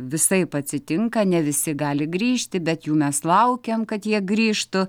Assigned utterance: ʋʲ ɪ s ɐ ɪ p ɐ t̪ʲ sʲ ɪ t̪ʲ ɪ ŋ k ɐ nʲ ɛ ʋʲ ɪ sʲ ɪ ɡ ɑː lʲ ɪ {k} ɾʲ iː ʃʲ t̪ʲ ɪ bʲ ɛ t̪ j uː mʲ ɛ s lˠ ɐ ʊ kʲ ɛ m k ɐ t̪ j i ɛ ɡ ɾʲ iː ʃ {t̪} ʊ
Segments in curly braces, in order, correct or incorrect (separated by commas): incorrect, correct